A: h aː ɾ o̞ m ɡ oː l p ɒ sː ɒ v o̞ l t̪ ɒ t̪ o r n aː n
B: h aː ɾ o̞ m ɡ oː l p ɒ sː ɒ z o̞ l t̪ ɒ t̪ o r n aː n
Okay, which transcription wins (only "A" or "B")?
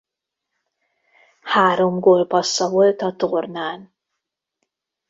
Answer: A